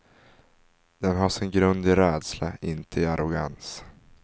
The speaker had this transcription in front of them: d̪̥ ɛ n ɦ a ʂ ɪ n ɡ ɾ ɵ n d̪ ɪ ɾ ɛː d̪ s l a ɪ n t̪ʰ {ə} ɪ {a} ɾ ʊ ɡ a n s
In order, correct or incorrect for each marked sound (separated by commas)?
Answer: correct, correct